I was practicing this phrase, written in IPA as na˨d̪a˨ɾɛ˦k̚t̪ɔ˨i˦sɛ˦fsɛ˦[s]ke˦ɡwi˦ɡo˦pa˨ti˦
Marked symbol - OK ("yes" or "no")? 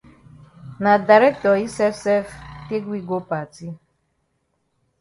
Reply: no